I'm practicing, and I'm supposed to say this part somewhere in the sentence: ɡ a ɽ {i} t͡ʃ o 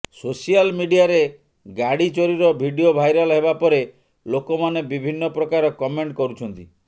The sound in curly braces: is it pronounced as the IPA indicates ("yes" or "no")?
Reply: yes